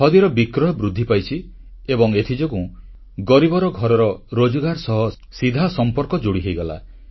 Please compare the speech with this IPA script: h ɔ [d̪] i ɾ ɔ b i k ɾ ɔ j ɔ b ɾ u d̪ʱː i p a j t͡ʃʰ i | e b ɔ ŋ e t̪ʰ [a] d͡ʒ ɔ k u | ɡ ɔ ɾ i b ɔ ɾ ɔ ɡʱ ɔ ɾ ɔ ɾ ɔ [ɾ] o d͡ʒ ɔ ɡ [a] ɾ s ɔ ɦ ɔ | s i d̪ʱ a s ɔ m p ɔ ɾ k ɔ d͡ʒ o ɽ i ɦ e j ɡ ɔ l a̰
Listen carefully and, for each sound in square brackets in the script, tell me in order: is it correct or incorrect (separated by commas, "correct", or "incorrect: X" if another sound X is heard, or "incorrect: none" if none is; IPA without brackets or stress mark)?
correct, incorrect: i, correct, correct